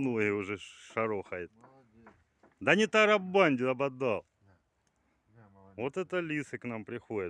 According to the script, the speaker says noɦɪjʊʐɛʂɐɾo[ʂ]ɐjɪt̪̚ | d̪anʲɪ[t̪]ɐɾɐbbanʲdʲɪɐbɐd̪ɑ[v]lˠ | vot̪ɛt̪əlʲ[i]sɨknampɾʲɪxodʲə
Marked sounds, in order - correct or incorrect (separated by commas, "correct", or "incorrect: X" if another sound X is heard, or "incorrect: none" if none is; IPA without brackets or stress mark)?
incorrect: x, correct, incorrect: none, correct